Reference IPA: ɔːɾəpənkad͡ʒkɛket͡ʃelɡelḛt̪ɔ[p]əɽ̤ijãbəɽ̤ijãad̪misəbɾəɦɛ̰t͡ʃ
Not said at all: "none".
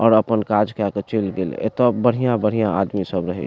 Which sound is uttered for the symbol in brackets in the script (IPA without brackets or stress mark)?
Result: b